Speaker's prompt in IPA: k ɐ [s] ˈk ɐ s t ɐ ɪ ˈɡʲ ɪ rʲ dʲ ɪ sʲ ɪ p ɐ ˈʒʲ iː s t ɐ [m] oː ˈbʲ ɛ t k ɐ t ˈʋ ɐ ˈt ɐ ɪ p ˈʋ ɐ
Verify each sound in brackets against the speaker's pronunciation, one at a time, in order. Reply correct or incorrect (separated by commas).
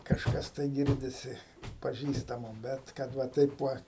incorrect, correct